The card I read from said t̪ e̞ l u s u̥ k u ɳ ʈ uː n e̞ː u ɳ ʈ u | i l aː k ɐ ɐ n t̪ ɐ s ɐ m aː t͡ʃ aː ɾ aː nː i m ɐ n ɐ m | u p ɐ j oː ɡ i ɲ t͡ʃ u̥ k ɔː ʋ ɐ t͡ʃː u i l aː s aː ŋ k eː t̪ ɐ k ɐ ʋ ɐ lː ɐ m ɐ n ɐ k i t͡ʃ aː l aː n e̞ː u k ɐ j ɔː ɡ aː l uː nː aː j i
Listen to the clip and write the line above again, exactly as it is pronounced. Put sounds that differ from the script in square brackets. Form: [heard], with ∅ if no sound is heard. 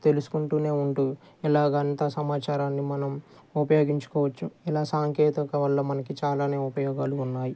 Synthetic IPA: t̪ e̞ l u s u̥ k u ɳ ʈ uː n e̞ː u ɳ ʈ u | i l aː [ɡ] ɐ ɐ n t̪ ɐ s ɐ m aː t͡ʃ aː ɾ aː nː i m ɐ n ɐ m | u p ɐ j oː ɡ i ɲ t͡ʃ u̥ k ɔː ʋ ɐ t͡ʃː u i l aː s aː ŋ k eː t̪ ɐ k ɐ ʋ ɐ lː ɐ m ɐ n ɐ k i t͡ʃ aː l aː n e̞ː u [p] ɐ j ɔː ɡ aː l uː nː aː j i